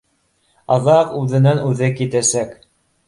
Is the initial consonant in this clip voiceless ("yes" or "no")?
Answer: no